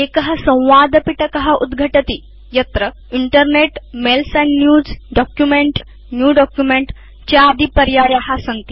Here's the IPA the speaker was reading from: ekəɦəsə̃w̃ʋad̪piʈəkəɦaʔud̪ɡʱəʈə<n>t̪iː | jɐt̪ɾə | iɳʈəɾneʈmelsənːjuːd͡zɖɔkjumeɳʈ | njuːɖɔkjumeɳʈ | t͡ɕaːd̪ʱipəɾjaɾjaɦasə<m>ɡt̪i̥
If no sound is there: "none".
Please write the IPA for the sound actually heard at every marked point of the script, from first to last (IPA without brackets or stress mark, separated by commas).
none, ŋ